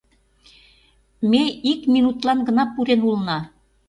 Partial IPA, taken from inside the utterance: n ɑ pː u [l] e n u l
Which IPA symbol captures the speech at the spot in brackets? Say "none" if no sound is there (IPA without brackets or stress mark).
ɾ